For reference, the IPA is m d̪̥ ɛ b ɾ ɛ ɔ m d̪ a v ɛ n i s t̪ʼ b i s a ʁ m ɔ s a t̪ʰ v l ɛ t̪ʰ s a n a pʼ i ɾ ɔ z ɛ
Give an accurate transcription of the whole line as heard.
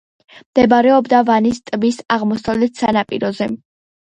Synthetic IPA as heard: m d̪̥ ɛ b ɾ ɛ ɔ b d̪ a v a n i s t̪ʼ b i s a ʁ m ɔ s a v l ɛ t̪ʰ s a n a pʼ i ɾ ɔ z ɛ